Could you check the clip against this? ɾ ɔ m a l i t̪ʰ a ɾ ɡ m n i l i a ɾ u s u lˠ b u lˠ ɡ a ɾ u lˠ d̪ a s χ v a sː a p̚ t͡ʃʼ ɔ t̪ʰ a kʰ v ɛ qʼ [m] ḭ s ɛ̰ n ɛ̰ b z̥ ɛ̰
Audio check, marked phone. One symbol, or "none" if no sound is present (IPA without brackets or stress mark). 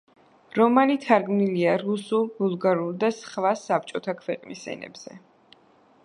n